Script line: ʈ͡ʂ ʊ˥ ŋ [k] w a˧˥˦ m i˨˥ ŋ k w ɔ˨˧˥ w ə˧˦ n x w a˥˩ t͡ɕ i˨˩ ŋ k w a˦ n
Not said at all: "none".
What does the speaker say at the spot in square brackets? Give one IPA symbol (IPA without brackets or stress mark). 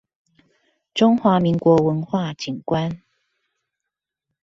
x